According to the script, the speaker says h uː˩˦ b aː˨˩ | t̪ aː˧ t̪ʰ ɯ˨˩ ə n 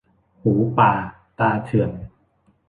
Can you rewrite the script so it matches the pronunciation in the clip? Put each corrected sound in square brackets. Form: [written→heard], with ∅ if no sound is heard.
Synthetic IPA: h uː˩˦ [b→p] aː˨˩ | t̪ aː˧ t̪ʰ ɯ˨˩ ə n